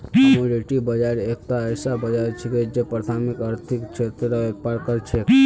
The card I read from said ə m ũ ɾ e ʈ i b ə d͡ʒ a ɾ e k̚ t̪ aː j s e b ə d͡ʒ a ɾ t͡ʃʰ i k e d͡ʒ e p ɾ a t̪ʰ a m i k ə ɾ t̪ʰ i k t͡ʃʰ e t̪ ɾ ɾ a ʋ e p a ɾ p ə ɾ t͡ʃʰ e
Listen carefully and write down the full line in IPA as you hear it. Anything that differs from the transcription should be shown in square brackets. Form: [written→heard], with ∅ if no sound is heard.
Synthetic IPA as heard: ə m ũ ɾ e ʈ i b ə d͡ʒ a ɾ e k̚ t̪ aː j s [e→a] b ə d͡ʒ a ɾ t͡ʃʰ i k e d͡ʒ e p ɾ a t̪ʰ a m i k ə ɾ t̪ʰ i k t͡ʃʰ e t̪ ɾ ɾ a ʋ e p a ɾ [p→k] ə ɾ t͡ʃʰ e